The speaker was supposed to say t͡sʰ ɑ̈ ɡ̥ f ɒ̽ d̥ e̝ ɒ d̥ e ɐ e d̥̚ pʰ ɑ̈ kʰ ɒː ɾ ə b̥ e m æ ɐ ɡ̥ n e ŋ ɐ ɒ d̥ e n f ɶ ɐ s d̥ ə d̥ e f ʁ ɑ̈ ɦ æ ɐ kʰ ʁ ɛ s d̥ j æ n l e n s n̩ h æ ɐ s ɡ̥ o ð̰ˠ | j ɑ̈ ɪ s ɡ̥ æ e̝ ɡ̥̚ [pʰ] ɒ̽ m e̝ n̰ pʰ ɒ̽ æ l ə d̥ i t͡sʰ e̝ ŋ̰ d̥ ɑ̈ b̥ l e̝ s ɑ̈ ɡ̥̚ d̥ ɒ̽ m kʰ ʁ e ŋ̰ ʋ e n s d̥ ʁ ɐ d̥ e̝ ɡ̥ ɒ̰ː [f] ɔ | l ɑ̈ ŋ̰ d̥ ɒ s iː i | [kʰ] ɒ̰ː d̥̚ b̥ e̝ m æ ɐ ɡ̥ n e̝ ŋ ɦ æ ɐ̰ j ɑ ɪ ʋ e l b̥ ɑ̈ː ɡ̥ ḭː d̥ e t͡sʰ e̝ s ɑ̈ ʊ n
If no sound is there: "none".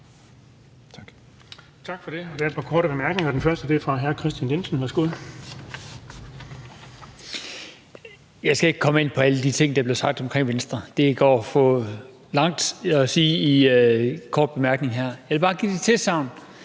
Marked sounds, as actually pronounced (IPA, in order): kʰ, f, kʰ

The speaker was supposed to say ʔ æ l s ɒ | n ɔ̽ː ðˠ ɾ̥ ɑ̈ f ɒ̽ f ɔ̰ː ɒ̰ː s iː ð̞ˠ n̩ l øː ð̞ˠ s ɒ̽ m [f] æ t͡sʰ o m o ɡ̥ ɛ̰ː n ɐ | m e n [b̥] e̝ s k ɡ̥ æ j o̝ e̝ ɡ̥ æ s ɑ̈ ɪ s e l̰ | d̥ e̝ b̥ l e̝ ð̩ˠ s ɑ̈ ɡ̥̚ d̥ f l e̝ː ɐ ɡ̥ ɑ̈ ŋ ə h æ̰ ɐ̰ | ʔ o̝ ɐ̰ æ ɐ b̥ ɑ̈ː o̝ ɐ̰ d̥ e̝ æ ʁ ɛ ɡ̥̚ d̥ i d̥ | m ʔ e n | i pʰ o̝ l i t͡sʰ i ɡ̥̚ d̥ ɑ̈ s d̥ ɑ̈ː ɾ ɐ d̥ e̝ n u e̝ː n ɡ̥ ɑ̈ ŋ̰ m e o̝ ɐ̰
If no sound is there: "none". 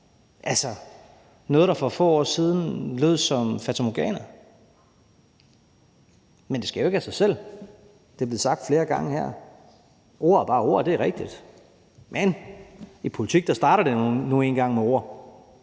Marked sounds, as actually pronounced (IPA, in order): f, d̥

